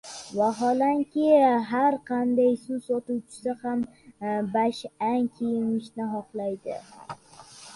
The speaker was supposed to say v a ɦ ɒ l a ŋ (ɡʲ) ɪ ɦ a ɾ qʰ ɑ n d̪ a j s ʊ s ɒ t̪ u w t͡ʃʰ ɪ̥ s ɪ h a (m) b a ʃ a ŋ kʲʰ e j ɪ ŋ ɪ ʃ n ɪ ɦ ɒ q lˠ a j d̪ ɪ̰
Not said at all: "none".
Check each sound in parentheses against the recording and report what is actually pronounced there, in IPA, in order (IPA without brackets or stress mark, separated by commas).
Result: kʲ, m